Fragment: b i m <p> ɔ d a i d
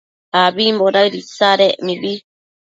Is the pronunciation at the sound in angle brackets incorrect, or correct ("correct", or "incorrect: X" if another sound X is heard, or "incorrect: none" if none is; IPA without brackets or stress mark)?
incorrect: b